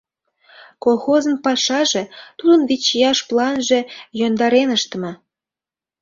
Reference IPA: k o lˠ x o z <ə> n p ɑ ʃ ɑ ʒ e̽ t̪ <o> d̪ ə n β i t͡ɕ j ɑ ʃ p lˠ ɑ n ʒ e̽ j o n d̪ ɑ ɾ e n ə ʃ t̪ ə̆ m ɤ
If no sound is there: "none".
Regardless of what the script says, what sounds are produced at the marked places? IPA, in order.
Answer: ə, u

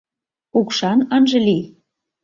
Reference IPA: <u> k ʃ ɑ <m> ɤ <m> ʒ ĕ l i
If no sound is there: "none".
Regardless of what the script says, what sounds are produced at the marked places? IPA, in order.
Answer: u, n, n

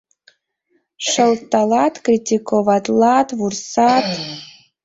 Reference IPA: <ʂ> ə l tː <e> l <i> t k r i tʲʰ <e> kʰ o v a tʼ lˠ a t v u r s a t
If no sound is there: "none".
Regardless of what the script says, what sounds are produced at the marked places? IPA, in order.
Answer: ʂ, a, a, i

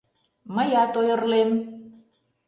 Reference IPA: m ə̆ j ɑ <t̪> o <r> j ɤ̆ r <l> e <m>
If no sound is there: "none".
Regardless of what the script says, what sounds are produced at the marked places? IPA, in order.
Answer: t̪, none, l, m

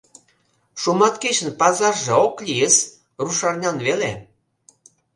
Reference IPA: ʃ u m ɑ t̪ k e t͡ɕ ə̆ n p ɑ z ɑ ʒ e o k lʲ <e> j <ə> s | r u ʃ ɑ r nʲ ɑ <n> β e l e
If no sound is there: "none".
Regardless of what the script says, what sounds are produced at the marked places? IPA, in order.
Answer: i, ə, n

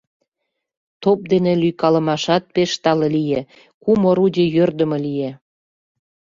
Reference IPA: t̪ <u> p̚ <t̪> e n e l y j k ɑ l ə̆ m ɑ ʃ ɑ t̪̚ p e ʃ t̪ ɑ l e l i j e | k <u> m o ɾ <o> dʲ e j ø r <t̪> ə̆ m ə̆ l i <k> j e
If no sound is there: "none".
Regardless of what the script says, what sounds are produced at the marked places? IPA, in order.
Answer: o, d̪, u, u, d̪, none

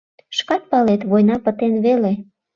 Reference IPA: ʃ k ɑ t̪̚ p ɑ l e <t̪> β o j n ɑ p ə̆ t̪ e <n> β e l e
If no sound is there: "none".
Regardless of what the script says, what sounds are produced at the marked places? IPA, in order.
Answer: t̪, n

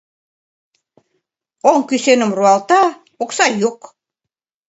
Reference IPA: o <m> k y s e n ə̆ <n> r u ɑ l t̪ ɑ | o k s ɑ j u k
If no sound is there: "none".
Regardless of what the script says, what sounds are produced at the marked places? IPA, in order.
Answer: ŋ, m

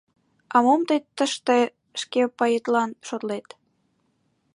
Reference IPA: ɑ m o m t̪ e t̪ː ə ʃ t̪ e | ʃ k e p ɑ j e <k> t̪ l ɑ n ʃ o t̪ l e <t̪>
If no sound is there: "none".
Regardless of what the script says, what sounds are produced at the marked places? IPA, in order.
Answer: none, t̪

